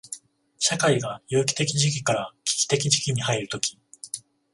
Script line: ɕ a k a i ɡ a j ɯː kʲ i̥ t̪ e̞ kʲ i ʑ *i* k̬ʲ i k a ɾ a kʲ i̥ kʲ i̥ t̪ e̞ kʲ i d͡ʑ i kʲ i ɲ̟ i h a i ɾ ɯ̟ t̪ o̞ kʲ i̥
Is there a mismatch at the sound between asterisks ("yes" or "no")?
no